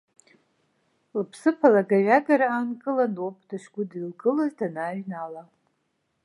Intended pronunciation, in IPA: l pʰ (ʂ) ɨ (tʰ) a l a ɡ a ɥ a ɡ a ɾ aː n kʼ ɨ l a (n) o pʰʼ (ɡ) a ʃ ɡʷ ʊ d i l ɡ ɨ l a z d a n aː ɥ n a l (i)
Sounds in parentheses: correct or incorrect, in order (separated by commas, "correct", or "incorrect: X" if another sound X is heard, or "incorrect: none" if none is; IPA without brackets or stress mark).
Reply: incorrect: s, incorrect: pʰ, correct, incorrect: d, incorrect: a